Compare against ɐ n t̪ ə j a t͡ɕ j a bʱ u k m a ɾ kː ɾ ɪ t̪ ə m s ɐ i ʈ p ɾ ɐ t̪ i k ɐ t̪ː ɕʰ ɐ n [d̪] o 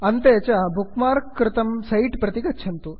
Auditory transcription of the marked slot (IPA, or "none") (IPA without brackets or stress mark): t̪